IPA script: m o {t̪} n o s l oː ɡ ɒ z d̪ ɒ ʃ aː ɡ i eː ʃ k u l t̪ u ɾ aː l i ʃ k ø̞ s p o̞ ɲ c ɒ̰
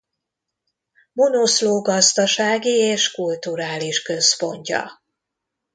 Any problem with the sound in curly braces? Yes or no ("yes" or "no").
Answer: yes